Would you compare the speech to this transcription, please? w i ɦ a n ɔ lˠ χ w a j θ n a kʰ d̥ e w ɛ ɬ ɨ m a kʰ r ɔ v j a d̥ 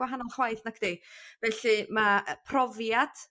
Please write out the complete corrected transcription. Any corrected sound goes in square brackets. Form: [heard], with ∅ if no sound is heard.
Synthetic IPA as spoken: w [a] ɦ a n ɔ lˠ χ w a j θ n a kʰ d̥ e [v] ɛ ɬ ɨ m a [pʰ] r ɔ v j a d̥

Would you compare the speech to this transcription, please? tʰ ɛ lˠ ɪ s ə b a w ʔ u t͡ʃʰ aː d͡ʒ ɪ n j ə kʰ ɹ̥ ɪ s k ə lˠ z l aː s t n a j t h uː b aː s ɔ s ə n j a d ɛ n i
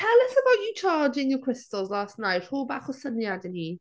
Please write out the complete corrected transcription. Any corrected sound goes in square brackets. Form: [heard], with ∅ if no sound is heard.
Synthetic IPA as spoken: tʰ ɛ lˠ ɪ s ə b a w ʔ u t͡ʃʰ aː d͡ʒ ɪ n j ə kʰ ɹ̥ ɪ s [t] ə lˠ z l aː s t n a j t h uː b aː [χ] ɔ s ə n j a d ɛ n i

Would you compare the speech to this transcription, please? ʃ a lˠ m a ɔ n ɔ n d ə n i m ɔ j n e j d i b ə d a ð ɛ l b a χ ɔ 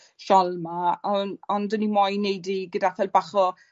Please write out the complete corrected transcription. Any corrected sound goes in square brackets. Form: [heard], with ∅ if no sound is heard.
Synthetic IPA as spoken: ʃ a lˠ m a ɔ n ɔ n d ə n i m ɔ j n e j d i [ɡ] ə d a [θ] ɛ l b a χ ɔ

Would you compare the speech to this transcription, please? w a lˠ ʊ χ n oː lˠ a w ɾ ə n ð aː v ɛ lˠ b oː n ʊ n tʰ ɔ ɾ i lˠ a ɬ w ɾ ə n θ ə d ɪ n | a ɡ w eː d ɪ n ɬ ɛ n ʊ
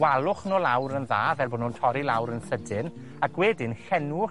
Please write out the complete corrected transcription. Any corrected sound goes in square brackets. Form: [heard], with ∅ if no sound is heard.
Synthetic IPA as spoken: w a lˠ ʊ χ n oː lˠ a w ɾ ə n ð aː v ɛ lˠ b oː n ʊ n tʰ ɔ ɾ i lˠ a [∅] w ɾ ə n θ ə d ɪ n | a ɡ w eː d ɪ n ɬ ɛ n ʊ

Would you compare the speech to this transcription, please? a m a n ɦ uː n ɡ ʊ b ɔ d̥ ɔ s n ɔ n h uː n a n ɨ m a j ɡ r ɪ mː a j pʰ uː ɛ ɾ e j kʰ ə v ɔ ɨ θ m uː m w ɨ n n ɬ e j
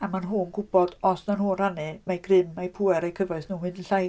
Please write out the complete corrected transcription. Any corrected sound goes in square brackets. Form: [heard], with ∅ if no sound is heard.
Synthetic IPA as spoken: a m a n ɦ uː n ɡ ʊ b ɔ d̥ ɔ s n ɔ n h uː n a n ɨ m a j ɡ r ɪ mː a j pʰ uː ɛ ɾ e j kʰ ə v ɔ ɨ θ [n] uː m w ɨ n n ɬ [a] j

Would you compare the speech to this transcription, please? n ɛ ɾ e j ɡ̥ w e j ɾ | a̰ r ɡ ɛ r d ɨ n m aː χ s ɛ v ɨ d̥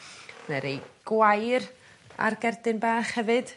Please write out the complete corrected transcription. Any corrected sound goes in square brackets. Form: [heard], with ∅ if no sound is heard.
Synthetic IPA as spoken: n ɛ ɾ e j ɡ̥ w [a] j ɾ | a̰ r ɡ ɛ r d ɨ n [b] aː χ [h] ɛ v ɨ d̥

